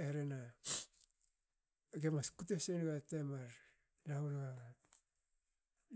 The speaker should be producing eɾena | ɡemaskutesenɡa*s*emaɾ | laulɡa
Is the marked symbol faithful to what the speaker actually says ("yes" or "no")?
no